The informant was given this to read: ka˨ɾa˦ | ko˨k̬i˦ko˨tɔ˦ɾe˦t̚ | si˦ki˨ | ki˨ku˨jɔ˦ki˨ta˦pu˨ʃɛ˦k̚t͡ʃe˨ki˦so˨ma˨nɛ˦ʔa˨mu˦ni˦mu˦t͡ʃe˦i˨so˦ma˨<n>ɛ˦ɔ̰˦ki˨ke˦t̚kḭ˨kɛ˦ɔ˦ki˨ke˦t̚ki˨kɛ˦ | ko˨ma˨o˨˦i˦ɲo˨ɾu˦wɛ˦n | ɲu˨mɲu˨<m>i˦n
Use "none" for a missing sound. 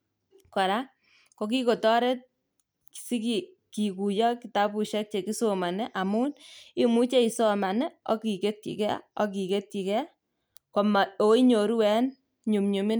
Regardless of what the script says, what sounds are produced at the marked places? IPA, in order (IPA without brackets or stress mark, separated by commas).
n, m